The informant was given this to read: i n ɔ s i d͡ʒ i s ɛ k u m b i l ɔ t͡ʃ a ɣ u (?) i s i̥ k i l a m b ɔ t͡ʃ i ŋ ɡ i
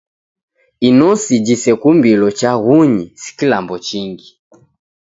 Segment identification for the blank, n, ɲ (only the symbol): ɲ